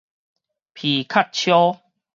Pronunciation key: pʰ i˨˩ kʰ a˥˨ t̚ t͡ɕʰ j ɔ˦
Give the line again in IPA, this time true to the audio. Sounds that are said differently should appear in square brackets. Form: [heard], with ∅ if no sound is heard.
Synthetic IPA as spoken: pʰ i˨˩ kʰ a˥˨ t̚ t͡ɕʰ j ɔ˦